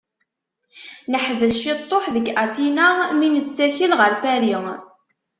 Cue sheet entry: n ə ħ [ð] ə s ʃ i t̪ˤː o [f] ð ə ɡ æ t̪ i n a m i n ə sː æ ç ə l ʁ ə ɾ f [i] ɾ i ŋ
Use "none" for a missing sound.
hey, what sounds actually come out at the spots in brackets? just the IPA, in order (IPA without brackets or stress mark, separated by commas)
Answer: v, ħ, æ